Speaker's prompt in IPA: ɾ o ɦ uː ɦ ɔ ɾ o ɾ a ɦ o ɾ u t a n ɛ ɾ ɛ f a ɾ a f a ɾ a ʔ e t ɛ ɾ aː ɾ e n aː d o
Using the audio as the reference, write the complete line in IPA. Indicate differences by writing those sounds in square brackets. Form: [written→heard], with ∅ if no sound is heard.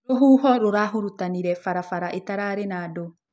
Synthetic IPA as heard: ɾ o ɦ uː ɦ ɔ ɾ o ɾ a ɦ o ɾ u t a n [ɛ→i] ɾ ɛ f a ɾ a f a ɾ a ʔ e t [ɛ→a] ɾ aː ɾ e n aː d o